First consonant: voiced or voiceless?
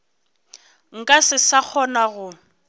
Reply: voiced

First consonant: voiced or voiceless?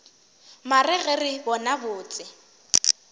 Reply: voiced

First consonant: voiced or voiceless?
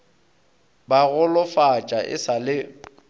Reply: voiced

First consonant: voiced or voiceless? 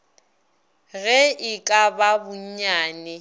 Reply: voiced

